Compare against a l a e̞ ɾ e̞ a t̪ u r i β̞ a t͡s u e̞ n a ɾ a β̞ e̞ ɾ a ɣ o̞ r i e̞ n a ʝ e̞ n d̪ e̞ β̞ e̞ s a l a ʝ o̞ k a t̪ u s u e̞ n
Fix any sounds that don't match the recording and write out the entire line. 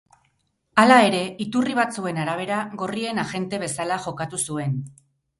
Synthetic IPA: a l a e̞ ɾ e̞ i t̪ u r i β̞ a t͡s u e̞ n a ɾ a β̞ e̞ ɾ a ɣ o̞ r i e̞ n a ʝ e̞ n t̪ e̞ β̞ e̞ s a l a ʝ o̞ k a t̪ u s u e̞ n